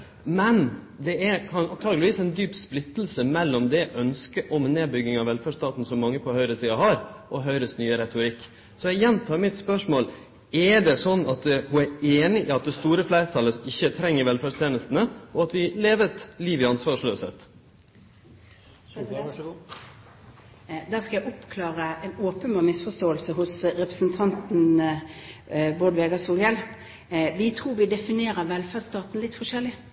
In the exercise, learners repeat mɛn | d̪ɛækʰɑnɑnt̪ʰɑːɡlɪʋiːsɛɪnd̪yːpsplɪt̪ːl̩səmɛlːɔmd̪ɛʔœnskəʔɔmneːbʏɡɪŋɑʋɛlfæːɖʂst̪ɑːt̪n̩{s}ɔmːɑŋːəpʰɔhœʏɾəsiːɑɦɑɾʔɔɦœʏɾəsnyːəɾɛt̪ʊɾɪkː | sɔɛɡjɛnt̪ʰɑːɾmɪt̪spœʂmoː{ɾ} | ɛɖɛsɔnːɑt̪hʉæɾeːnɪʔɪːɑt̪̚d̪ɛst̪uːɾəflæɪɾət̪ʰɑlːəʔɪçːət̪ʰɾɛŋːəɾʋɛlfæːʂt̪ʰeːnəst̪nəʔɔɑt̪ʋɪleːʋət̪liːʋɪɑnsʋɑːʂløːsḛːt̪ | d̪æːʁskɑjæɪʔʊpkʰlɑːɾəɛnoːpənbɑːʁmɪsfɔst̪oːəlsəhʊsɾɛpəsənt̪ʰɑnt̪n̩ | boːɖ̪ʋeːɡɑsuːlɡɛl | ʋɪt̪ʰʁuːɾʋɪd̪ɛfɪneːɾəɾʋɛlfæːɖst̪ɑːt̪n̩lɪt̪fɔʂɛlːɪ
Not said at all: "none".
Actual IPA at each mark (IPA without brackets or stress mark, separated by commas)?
s, l